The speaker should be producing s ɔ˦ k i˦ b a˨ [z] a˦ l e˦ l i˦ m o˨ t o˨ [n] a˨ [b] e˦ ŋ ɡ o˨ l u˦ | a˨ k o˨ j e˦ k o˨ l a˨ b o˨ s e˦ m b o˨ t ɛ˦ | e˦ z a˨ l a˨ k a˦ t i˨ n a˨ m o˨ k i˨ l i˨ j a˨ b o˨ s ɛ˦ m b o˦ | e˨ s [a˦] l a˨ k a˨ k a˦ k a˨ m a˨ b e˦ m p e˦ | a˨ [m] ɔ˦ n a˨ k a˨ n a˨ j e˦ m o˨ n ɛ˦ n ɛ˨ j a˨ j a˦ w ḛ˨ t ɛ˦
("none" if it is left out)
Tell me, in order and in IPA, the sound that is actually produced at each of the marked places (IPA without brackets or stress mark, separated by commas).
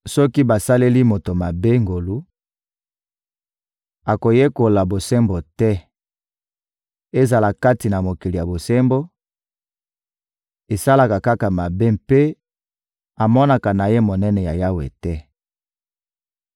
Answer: s, m, b, a˦, m